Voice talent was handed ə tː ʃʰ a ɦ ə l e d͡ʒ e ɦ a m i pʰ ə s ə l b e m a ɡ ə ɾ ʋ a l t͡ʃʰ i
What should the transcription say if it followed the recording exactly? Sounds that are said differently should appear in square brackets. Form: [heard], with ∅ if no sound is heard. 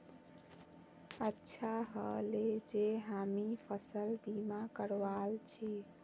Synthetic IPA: ə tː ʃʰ a ɦ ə l e d͡ʒ e ɦ a m i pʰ ə s ə l b [i] m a [k] ə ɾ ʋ a l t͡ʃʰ i

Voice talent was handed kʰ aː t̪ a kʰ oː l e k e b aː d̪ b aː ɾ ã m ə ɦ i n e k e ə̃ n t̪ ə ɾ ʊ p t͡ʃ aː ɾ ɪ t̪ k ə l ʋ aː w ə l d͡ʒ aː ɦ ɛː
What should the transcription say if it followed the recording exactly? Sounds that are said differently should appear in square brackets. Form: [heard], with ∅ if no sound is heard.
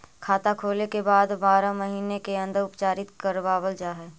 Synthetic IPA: kʰ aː t̪ a kʰ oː l e k e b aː d̪ b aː ɾ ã m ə ɦ [iː] n e k e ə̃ n [d̪] ə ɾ ʊ p t͡ʃ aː ɾ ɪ t̪ k ə [ɾ] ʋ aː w ə l d͡ʒ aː ɦ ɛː

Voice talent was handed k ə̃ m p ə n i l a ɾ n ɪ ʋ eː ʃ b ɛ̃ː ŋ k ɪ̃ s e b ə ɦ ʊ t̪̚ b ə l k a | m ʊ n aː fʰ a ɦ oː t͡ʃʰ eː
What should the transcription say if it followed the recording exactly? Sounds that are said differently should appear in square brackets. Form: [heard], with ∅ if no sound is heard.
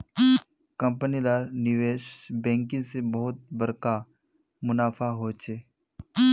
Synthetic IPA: k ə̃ m p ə n i l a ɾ n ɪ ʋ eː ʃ b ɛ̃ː ŋ k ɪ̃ s e b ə ɦ ʊ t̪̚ b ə [ɾ] k a | m ʊ n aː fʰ a ɦ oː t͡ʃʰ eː

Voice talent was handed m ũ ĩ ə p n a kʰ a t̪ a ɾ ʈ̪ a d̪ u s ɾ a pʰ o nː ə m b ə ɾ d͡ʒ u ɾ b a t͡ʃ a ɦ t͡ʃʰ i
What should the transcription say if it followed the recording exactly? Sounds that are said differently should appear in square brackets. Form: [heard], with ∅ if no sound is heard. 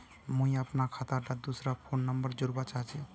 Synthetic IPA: m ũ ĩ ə p n a kʰ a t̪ a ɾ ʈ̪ a d̪ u s ɾ a pʰ o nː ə m b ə ɾ d͡ʒ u ɾ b a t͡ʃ a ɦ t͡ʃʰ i

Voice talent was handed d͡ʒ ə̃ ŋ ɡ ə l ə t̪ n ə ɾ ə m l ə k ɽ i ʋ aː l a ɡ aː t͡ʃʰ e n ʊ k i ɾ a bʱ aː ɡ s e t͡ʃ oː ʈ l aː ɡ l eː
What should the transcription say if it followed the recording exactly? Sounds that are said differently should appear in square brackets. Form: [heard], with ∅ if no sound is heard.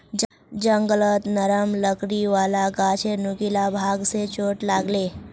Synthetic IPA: d͡ʒ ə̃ ŋ ɡ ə l ə t̪ n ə ɾ ə m l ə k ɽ i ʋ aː l a ɡ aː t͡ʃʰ e n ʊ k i [l] a bʱ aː ɡ s e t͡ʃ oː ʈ l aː ɡ l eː

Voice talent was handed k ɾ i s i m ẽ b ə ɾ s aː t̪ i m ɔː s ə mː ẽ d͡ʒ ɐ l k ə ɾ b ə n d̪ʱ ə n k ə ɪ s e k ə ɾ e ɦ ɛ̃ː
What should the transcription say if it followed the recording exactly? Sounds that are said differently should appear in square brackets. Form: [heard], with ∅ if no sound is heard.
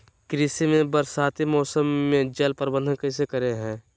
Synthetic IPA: k ɾ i s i m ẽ b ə ɾ s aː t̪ i m ɔː s ə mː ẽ d͡ʒ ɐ l [p] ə ɾ b ə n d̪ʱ ə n k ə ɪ s e k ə ɾ e ɦ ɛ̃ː

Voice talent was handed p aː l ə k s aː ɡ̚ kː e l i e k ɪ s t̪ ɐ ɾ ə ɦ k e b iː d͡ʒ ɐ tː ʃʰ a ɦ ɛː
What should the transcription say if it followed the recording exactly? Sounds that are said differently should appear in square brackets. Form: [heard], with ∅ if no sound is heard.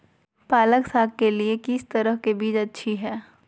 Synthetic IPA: p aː l ə k s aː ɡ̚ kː e l i e k ɪ s t̪ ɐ ɾ ə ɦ k e b iː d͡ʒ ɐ tː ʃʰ [i] ɦ ɛː

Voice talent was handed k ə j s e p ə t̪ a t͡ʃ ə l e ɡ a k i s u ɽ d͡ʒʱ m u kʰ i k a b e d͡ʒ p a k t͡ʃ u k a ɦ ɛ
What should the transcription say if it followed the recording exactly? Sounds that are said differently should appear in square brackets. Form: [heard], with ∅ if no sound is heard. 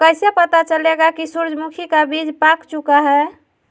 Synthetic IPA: k ə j s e p ə t̪ a t͡ʃ ə l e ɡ a k i s u [ɾ] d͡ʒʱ m u kʰ i k a b [i] d͡ʒ p a k t͡ʃ u k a ɦ ɛ

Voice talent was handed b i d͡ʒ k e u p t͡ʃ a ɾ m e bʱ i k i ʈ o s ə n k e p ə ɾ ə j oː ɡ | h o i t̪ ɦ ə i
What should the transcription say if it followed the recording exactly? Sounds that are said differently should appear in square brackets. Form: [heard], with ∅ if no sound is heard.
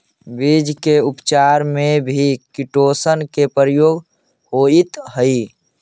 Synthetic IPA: b i d͡ʒ k e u p t͡ʃ a ɾ m e bʱ i k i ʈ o s ə n k e p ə ɾ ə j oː ɡ | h o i t̪ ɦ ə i

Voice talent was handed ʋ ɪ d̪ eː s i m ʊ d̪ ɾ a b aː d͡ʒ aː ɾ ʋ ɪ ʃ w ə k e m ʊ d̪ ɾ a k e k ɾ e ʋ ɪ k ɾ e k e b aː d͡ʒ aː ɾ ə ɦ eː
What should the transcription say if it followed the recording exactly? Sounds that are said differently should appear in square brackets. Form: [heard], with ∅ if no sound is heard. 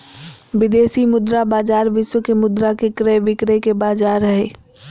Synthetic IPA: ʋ ɪ d̪ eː s i m ʊ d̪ ɾ a b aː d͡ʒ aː ɾ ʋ ɪ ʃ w ə k e m ʊ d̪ ɾ a k e k ɾ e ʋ ɪ k ɾ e k e b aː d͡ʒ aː ɾ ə ɦ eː

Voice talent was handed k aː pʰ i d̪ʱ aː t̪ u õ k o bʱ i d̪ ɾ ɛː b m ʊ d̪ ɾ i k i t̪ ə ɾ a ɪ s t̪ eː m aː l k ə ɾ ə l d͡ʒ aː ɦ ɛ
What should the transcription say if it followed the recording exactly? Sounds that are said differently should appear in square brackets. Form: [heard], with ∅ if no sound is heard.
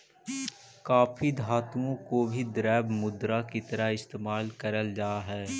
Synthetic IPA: k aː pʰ i d̪ʱ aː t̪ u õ k o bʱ i d̪ ɾ ɛː b m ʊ d̪ ɾ [a] k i t̪ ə ɾ a ɪ s t̪ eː m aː l k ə ɾ ə l d͡ʒ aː ɦ [ɛː]

